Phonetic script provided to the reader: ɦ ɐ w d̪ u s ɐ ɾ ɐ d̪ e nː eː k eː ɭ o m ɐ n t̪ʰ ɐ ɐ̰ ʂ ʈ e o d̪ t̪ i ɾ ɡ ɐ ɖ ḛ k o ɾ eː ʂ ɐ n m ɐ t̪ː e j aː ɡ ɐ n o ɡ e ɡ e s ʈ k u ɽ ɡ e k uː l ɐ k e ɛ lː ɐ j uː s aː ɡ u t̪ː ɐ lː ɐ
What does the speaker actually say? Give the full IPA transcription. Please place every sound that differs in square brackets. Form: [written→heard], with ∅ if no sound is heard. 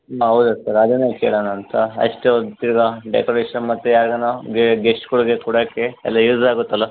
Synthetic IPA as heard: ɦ ɐ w d̪ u s ɐ ɾ ɐ d̪ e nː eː k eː ɭ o [m→n] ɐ n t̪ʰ ɐ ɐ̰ ʂ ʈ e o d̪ t̪ i ɾ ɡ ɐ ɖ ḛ k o ɾ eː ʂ ɐ n m ɐ t̪ː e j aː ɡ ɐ n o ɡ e ɡ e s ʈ k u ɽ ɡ e k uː [l→ɽ] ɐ k e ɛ lː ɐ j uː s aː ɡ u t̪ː ɐ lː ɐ